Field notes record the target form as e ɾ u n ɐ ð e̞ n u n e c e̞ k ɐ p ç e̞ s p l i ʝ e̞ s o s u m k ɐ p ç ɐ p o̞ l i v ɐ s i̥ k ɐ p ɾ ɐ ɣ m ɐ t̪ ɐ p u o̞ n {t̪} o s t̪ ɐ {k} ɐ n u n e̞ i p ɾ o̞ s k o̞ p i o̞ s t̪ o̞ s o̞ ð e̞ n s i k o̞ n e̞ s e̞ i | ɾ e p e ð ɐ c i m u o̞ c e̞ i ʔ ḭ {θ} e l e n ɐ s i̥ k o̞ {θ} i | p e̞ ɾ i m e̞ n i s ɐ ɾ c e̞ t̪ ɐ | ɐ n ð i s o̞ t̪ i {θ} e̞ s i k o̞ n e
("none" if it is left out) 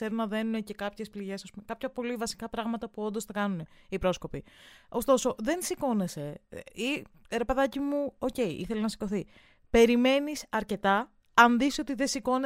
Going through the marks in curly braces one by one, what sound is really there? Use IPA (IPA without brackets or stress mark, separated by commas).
d̪, k, θ, θ, ð